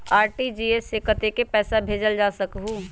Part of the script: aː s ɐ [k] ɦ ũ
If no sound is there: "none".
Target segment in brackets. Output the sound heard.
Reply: k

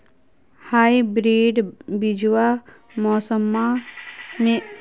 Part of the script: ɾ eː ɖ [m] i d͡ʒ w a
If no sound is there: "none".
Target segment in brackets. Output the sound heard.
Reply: b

